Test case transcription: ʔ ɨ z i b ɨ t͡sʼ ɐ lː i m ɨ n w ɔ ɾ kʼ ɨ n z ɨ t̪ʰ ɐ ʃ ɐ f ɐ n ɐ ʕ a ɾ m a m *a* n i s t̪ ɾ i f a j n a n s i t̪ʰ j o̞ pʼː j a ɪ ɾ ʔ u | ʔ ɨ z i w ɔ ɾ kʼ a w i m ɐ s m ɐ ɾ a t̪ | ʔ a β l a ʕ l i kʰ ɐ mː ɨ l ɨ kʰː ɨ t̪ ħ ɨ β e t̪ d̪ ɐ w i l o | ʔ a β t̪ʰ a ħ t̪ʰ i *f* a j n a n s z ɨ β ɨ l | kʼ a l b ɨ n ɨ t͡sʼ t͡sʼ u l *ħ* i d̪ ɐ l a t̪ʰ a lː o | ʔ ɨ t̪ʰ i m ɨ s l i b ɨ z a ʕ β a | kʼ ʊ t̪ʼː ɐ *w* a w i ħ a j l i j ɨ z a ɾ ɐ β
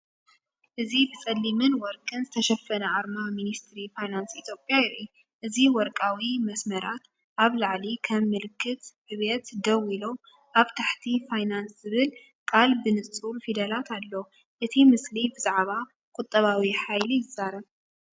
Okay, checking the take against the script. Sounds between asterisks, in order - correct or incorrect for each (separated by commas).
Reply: incorrect, correct, incorrect, incorrect